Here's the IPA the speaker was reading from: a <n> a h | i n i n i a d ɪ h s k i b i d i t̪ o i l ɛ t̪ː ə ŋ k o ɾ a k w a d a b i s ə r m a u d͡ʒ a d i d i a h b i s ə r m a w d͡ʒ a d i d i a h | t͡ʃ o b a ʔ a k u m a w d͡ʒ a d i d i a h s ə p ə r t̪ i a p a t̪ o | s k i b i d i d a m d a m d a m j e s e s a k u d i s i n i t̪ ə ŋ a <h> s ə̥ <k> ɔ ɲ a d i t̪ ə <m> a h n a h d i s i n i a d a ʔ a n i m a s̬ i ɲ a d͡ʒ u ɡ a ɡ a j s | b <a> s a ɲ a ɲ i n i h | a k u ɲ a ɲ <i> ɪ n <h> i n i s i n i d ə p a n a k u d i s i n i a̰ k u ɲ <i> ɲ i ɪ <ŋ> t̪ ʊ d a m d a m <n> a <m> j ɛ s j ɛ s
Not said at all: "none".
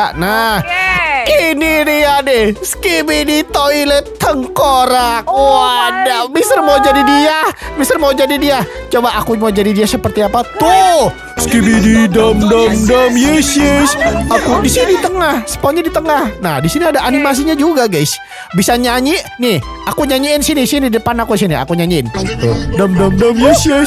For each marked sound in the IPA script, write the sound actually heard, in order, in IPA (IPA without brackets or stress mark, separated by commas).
n, h, p, ŋ, i, i, s, a, n, d, m